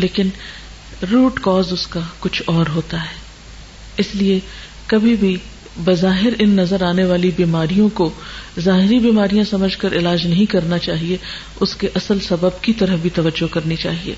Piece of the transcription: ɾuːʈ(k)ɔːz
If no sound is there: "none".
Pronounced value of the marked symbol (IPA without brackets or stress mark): k